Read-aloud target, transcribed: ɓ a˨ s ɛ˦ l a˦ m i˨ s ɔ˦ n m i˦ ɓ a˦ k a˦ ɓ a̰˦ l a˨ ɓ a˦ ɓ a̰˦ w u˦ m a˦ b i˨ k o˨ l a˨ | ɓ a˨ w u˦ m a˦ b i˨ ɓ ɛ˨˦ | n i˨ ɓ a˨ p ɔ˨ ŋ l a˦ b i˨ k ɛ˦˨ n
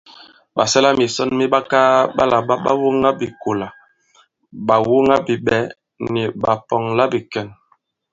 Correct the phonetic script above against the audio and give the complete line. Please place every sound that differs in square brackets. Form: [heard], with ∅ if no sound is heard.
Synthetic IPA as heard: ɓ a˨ s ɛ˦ l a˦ m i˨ s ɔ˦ n m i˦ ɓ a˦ k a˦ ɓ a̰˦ l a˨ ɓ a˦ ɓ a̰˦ w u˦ [ŋ] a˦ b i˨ k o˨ l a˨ | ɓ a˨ w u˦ [ŋ] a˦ b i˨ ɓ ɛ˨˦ | n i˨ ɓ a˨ p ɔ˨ ŋ l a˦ b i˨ k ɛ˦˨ n